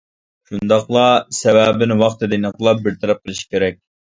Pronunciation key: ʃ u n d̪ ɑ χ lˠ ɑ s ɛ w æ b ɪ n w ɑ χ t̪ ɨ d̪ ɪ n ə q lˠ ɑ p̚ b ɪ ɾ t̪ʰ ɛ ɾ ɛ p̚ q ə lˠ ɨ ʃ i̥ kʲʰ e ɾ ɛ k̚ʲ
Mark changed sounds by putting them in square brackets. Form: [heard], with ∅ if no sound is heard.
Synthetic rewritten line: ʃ u n d̪ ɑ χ lˠ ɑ s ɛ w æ b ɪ n w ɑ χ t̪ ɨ d̪ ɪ n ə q lˠ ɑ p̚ b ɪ ɾ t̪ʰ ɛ ɾ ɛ p̚ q ə lˠ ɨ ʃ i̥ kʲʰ e ɾ ɛ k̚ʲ